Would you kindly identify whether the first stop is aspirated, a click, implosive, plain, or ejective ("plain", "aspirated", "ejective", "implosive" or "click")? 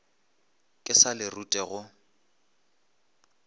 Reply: ejective